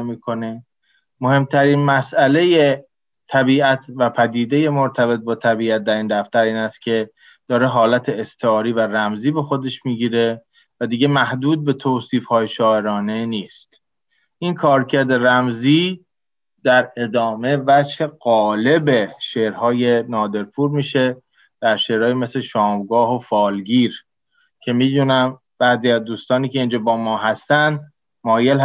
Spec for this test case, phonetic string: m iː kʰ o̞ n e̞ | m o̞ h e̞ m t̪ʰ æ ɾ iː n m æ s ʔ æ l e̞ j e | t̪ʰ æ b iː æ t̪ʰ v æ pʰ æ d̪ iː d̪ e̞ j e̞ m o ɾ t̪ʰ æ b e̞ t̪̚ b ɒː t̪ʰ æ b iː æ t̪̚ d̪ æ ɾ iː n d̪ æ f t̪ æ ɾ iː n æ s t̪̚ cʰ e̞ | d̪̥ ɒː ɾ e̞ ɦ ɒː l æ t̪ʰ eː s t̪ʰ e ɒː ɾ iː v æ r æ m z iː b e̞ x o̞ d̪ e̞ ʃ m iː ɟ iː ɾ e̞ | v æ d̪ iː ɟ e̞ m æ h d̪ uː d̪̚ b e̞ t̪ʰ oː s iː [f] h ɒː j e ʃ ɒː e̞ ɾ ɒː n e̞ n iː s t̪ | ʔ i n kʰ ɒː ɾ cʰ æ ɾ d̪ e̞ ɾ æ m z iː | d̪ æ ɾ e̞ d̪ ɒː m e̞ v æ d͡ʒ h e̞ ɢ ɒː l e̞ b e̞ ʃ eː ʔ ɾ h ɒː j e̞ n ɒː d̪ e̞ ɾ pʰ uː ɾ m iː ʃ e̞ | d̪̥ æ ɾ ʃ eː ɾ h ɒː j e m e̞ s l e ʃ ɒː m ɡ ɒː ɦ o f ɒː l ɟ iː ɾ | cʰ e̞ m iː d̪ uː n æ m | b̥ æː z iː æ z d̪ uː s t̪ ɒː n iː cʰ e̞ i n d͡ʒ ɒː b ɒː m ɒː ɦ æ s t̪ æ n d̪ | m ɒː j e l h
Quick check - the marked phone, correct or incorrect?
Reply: correct